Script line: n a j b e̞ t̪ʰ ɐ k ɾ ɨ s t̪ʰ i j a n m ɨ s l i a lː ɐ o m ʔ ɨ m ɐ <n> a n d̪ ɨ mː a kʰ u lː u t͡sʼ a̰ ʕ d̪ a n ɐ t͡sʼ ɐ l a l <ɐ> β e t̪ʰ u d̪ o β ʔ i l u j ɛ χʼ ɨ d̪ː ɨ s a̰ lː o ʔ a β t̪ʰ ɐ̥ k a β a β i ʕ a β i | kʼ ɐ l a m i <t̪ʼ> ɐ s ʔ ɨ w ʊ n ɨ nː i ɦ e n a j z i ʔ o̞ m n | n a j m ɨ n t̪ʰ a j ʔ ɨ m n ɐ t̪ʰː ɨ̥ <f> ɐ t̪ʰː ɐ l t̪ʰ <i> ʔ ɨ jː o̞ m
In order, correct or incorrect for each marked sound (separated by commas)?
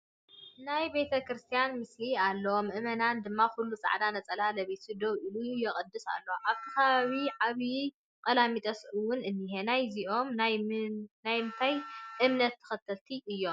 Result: correct, correct, correct, incorrect, correct